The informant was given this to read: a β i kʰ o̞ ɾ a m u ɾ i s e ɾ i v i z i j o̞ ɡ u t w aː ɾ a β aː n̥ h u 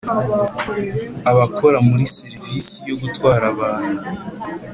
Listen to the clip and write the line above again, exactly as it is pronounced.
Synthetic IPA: a β a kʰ o̞ ɾ a m u ɾ i s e ɾ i v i s i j o̞ ɡ u t w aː ɾ a β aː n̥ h u